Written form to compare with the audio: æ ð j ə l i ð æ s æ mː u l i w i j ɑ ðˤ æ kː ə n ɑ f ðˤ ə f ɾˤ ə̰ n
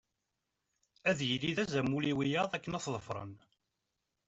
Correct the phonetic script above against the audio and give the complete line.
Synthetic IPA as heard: æ ð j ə l i ð æ z æ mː u l i w i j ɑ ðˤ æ kː ə n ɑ θ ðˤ ə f ɾˤ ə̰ n